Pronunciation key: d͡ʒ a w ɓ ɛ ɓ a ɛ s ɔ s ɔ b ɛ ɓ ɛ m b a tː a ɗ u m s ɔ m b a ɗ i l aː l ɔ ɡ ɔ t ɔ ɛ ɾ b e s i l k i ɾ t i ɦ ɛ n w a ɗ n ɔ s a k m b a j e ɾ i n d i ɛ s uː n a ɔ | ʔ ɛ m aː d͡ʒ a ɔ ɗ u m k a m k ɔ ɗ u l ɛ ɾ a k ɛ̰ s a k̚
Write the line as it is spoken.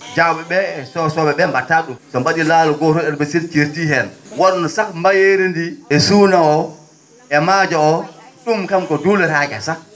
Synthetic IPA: d͡ʒ a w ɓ ɛ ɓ ɛ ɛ s ɔ s ɔ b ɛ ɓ ɛ m b a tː a ɗ u m s ɔ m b a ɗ i l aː l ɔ ɡ ɔ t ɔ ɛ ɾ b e s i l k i ɾ t i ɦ ɛ n w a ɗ n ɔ s a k m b a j e ɾ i n d i ɛ s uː n a ɔ | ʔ ɛ m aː d͡ʒ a ɔ ɗ u m k a m k ɔ d u l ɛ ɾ a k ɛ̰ s a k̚